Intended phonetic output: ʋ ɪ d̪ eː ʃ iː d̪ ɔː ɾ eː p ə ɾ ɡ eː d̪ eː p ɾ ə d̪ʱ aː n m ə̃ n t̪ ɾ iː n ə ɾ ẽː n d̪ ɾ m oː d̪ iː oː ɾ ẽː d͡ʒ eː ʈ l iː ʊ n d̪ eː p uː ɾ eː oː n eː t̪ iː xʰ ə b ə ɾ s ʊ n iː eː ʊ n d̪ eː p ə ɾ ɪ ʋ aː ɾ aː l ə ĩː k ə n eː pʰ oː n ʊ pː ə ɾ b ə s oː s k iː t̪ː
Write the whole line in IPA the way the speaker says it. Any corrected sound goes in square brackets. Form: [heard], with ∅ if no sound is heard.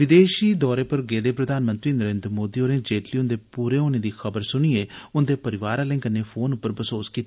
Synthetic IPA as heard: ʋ ɪ d̪ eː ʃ iː d̪ ɔː ɾ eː p ə ɾ ɡ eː d̪ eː p ɾ ə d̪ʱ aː n m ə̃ n t̪ ɾ iː n ə ɾ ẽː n d̪ ɾ m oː d̪ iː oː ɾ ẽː d͡ʒ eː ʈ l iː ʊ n d̪ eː p uː ɾ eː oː n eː [d̪] iː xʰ ə b ə ɾ s ʊ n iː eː ʊ n d̪ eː p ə ɾ ɪ ʋ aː ɾ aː l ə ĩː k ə n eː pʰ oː n ʊ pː ə ɾ b ə s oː s k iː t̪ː